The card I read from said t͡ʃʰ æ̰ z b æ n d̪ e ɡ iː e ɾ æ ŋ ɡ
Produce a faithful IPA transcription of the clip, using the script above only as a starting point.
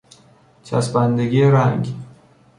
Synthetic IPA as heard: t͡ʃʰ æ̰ s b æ n d̪ e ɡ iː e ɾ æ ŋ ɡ

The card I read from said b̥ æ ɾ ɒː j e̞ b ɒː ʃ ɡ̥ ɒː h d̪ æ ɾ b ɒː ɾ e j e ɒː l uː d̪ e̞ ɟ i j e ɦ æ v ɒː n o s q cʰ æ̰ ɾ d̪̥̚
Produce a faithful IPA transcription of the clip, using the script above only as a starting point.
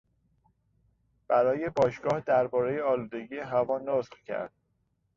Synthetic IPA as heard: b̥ æ ɾ ɒː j e̞ b ɒː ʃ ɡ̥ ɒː h d̪ æ ɾ b ɒː ɾ e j e ɒː l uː d̪ e̞ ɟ i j e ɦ æ v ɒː n o s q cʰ æ̰ ɾ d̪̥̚

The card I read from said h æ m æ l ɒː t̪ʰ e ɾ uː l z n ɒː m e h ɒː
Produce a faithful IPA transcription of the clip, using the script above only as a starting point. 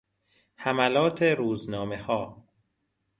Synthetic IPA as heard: h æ m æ l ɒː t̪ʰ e ɾ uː z n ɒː m e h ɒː

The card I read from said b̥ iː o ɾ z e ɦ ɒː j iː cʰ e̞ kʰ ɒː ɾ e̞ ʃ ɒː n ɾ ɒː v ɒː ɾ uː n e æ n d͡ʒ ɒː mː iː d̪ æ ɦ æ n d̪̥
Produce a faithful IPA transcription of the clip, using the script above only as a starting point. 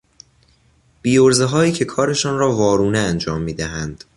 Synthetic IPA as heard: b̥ iː o ɾ z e ɦ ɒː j iː cʰ e̞ kʰ ɒː ɾ e̞ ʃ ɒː n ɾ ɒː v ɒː ɾ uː n e æ n d͡ʒ ɒː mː iː d̪ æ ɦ æ n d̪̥

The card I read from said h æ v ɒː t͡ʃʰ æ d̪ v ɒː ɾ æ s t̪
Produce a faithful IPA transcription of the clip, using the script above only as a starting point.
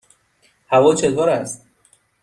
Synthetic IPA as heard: h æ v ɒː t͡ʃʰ e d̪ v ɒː ɾ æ s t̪

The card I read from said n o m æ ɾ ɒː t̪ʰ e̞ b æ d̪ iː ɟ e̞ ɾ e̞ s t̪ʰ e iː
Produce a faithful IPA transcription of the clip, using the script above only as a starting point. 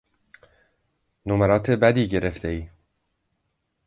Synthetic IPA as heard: n o m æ ɾ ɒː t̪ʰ e̞ b æ d̪ iː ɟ e̞ ɾ e̞ f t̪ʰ e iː

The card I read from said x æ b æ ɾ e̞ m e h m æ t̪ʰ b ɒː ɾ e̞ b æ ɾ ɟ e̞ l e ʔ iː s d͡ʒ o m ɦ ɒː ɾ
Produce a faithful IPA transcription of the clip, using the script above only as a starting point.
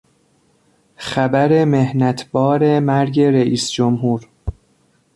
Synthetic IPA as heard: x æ b æ ɾ e̞ m e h n æ t̪ʰ b ɒː ɾ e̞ m æ ɾ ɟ e̞ ɾ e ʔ iː s d͡ʒ o m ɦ uː ɾ

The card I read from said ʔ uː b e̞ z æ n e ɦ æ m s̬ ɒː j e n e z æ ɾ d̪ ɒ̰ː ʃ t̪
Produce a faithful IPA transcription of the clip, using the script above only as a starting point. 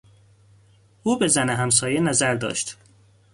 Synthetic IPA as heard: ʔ uː b e̞ z æ n e ɦ æ m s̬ ɒː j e n æ z æ ɾ d̪ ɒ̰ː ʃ t̪

